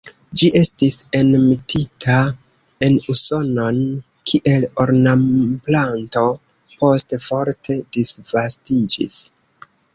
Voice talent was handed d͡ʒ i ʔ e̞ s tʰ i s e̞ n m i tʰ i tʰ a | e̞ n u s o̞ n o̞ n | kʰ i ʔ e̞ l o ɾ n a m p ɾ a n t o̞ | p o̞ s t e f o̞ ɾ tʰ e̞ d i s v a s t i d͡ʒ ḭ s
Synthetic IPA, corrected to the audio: d͡ʒ i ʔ e̞ s t i s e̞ n m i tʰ i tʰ a | e̞ n u s o̞ n o̞ n | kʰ i ʔ e̞ l o ɾ n a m p l a n t o̞ | p o̞ s t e f o̞ ɾ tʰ e̞ d i s v a s t i d͡ʒ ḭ s